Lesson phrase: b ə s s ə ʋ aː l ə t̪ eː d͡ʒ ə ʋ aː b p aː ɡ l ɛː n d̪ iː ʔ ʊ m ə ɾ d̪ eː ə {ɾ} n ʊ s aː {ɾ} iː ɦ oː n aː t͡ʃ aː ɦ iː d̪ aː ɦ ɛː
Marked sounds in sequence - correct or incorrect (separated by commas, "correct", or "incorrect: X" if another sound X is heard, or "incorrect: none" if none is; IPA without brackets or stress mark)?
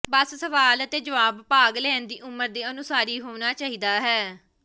incorrect: none, correct